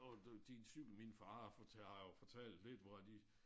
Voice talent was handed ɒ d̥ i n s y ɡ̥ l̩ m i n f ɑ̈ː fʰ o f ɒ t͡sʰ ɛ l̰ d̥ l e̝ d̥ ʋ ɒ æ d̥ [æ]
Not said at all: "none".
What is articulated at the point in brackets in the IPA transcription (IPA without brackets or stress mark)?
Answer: i